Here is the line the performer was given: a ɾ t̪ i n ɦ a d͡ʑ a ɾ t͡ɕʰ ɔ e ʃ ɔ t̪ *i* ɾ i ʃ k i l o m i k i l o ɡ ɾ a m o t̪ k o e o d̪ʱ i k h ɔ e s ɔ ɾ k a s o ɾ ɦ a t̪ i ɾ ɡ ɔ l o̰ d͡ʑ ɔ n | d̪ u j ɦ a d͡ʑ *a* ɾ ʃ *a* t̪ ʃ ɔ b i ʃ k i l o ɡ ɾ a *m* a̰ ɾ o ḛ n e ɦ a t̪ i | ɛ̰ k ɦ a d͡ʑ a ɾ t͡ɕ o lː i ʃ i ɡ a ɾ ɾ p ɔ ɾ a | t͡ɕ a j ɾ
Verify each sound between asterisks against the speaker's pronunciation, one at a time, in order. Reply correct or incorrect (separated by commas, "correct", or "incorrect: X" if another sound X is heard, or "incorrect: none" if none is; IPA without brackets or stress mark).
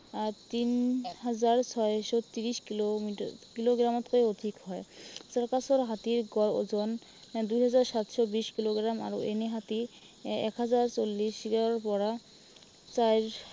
correct, correct, correct, correct